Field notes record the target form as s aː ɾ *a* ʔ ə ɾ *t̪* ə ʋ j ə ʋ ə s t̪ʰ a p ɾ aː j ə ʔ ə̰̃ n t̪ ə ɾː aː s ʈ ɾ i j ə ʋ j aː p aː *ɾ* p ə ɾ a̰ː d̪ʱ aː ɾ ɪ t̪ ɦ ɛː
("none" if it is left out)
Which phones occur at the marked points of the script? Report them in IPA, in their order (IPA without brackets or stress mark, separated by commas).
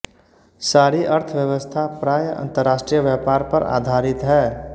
i, t̪ʰ, ɾ